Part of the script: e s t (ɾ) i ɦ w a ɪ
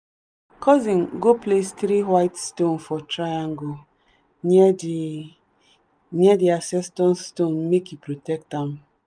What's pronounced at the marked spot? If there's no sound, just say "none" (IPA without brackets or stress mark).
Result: ɾ